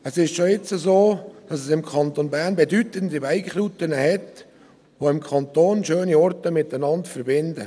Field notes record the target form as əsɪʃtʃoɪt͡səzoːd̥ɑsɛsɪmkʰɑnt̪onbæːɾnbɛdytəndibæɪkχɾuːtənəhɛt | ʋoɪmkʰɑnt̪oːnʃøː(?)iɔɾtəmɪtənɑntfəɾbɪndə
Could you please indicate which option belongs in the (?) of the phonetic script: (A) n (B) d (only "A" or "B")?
A